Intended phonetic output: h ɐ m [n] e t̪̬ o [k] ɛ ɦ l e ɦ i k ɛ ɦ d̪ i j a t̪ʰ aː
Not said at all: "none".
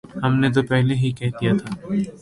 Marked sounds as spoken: n, p

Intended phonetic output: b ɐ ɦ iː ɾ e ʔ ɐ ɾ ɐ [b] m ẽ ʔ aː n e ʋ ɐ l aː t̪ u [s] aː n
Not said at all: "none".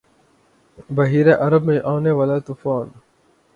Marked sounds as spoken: b, f

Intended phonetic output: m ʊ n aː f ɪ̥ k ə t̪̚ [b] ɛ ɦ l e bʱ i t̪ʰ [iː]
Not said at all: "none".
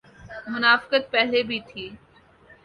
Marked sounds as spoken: p, iː

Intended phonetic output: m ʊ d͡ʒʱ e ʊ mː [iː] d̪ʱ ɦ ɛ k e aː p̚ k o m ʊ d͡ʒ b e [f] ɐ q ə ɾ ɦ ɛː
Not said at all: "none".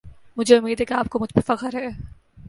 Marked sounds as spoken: iː, f

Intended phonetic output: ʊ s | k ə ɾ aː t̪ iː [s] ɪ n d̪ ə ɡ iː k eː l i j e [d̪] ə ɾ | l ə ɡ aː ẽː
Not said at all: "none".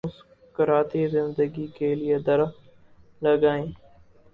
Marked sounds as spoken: z, d̪

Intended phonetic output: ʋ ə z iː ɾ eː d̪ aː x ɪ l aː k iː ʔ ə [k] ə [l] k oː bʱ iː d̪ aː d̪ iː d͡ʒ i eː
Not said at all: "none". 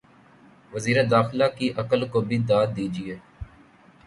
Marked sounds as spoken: k, l

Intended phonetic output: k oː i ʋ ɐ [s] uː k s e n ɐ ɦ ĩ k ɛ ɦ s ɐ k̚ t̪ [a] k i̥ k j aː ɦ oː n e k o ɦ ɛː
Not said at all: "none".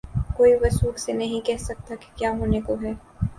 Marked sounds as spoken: s, a

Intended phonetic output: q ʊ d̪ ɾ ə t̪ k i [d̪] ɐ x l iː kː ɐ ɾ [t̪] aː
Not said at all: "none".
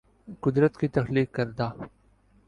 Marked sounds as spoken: t̪, d̪

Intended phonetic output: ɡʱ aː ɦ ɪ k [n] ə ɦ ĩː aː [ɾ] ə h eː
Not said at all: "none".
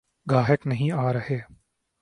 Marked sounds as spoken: n, ɾ

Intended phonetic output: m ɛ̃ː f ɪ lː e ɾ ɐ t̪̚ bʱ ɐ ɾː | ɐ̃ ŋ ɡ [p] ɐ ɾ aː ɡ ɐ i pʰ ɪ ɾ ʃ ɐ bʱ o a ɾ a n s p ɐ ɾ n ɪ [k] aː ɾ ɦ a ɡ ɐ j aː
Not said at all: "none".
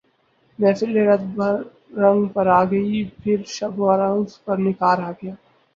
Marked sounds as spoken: p, k

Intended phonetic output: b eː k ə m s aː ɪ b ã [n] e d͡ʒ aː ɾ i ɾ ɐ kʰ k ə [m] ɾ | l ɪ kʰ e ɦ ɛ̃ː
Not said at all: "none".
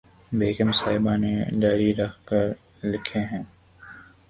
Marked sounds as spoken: n, none

